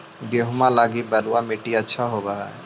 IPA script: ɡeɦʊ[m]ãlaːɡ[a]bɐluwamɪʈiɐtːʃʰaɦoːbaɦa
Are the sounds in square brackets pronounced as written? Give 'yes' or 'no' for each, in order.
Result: yes, no

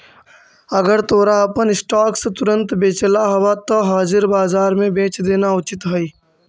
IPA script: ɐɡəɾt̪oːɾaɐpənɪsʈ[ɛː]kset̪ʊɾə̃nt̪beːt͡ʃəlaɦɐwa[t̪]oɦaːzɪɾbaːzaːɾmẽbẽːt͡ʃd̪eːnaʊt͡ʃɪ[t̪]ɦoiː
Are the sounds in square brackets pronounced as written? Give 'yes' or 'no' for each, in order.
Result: no, yes, yes

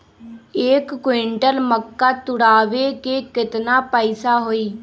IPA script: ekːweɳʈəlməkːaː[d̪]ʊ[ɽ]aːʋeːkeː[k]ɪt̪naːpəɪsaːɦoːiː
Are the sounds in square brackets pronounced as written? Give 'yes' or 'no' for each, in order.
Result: no, yes, yes

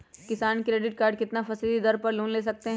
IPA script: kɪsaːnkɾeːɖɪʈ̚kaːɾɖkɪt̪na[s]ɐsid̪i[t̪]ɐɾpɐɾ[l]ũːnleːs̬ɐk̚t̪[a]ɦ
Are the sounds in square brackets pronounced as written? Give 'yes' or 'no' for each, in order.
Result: no, no, yes, no

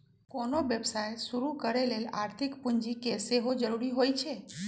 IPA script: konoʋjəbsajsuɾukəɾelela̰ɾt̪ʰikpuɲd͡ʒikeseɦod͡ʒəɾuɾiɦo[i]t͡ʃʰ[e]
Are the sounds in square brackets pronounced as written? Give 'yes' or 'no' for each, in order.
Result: no, yes

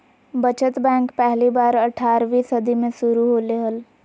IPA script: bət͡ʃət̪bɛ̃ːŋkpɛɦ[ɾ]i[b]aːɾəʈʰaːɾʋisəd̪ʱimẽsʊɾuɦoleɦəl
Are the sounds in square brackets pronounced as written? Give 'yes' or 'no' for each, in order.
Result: no, yes

